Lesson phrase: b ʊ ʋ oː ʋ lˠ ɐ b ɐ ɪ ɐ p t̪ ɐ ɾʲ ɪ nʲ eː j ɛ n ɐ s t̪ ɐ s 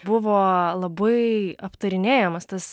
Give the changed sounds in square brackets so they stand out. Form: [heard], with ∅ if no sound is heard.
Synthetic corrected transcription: b ʊ ʋ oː [∅] lˠ ɐ b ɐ ɪ ɐ p t̪ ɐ ɾʲ ɪ nʲ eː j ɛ [m] ɐ s t̪ ɐ s